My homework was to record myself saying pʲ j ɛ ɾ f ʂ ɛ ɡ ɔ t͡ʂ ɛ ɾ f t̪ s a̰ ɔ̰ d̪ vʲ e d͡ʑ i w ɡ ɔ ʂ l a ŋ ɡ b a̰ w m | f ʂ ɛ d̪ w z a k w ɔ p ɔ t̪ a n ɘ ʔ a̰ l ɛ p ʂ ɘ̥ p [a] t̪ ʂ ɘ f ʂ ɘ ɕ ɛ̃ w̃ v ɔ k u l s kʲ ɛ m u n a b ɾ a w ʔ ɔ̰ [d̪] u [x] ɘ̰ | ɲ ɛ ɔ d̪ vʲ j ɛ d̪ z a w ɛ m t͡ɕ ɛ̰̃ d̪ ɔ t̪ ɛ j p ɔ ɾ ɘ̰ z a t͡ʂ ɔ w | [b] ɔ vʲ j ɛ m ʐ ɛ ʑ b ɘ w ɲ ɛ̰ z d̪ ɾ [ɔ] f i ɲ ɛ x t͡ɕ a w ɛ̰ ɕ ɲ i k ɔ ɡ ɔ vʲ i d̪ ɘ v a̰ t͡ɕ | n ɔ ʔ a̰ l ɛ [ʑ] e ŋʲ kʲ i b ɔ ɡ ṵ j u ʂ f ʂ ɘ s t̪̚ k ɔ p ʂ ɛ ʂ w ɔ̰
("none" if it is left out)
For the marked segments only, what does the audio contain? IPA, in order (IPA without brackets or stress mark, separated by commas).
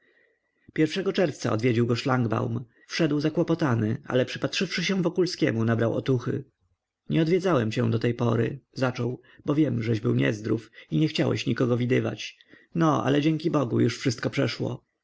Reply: a, t̪, x, b, u, d͡ʑ